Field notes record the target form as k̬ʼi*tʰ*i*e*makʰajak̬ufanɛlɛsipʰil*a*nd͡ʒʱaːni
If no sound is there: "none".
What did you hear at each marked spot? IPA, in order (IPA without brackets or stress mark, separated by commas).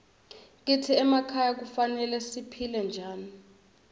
tʰ, ɛ, ɛ